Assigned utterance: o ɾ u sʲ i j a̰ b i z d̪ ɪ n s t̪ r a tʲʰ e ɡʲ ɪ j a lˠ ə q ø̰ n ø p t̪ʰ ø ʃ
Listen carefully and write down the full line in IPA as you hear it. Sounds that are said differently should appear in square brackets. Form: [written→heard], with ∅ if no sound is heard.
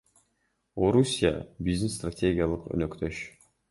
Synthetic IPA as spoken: o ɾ u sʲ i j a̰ b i z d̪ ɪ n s t̪ r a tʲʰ e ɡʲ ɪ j a lˠ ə q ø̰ n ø [p→k] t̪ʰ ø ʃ